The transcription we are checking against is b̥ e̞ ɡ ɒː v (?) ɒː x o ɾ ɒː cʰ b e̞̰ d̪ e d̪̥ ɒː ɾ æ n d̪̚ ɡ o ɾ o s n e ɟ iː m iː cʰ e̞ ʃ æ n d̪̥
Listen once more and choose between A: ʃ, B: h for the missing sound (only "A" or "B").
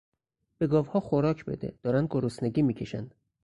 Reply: B